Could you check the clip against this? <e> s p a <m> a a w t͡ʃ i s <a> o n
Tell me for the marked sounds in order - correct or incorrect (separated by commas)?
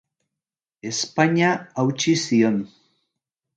correct, incorrect, incorrect